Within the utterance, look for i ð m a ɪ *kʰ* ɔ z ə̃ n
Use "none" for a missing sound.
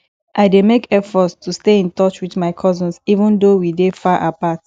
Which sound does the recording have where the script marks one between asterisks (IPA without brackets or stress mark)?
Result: kʰ